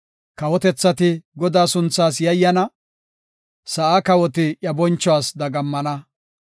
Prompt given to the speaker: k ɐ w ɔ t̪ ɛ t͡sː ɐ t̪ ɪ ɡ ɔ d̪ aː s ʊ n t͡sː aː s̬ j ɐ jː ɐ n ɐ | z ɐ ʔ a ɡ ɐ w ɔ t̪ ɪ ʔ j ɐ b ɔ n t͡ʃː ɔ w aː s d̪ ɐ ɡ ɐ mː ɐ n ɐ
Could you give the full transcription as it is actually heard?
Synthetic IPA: k ɐ w ɔ t̪ ɛ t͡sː ɐ t̪ ɪ ɡ ɔ d̪ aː s ʊ n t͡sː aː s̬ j ɐ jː ɐ n ɐ | s ɐ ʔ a k ɐ w ɔ t̪ ɪ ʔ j ɐ b ɔ n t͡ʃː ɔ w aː s d̪ ɐ ɡ ɐ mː ɐ n ɐ